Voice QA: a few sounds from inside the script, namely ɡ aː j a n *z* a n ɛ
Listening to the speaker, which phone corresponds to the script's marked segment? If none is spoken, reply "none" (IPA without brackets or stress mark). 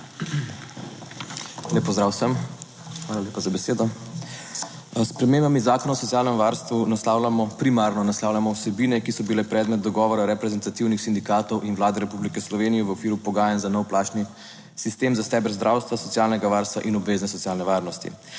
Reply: z